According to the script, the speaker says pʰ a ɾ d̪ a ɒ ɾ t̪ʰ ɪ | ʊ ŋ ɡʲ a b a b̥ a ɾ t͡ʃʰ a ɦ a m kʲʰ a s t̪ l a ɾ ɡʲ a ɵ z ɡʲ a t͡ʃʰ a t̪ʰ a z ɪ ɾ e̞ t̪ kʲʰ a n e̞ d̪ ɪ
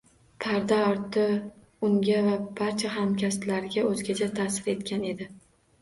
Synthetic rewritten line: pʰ a ɾ d̪ a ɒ ɾ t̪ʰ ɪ | ʊ ŋ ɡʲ a v a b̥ a ɾ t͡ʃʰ a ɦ a m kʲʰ a s t̪ l a ɾ ɡʲ a ɵ z ɡʲ a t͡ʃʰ a t̪ʰ a s ɪ ɾ e̞ t̪ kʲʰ a n e̞ d̪ ɪ